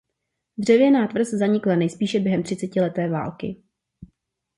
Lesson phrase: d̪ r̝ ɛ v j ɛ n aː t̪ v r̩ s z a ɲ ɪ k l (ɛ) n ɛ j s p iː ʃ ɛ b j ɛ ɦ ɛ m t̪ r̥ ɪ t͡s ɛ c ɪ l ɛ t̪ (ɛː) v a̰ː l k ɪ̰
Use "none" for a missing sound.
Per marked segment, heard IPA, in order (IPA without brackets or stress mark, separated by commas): a, ɛː